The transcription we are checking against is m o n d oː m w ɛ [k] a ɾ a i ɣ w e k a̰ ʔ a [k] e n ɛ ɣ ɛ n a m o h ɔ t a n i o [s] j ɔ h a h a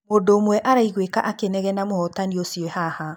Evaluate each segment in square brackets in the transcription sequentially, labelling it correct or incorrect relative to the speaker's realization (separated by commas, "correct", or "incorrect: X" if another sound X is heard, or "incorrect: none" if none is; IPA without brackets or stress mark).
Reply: incorrect: ʔ, correct, correct